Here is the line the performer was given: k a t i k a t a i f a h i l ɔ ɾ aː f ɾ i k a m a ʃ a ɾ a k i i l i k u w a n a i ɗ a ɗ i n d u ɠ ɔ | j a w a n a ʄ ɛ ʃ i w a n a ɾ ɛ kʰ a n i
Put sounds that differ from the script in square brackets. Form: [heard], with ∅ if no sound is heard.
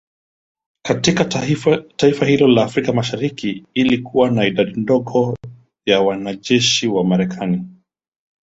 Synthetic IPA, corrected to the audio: k a t i k a t a i f a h i l ɔ [l] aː f ɾ i k a m a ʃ a ɾ [i] k i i l i k u w a n a i ɗ a ɗ i n d [ɔ] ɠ ɔ | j a w a n a ʄ ɛ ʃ i w a [m] a ɾ ɛ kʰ a n i